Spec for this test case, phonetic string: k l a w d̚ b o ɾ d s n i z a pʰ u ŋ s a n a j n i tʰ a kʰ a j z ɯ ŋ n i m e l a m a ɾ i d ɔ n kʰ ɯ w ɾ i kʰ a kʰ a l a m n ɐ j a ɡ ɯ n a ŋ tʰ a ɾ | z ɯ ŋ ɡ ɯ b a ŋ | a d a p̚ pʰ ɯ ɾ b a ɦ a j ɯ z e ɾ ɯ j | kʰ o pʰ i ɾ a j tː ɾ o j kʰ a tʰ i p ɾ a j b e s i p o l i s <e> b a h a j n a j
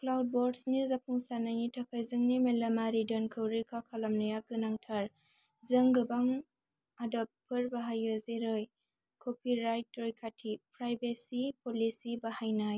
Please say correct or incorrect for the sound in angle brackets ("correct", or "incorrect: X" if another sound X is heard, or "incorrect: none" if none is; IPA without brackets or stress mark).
incorrect: i